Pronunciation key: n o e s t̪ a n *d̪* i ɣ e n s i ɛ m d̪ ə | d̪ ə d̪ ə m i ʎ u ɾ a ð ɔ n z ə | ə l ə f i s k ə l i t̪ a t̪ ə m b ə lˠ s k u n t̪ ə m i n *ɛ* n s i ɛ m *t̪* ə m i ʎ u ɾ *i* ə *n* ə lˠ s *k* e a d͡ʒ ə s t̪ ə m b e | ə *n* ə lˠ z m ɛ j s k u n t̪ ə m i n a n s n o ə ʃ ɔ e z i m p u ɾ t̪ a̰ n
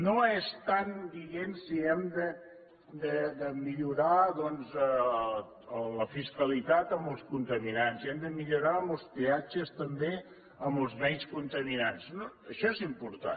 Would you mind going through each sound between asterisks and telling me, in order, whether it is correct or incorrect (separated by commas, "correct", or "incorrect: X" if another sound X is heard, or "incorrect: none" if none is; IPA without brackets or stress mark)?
correct, incorrect: a, incorrect: d̪, incorrect: a, incorrect: m, incorrect: p, incorrect: m